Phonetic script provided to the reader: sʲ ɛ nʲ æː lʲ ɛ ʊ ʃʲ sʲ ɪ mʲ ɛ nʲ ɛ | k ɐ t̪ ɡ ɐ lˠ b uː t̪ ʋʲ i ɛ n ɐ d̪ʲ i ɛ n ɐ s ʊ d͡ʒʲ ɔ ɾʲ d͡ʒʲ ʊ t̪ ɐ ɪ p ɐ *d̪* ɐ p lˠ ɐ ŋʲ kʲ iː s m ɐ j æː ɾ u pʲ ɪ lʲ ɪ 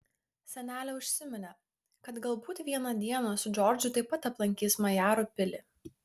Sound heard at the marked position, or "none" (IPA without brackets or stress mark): t̪